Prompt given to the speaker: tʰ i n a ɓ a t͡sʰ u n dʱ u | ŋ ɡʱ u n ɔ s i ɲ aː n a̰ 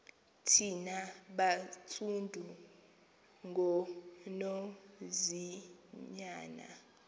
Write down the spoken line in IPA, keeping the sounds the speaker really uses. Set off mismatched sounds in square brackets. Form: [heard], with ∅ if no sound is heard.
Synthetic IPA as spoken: tʰ i n a ɓ a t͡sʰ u n dʱ u | ŋ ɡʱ [ɔ] n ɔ [z] i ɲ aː n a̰